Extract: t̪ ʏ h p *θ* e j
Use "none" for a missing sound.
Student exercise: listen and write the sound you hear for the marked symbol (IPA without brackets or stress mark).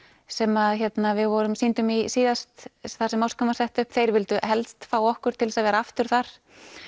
θ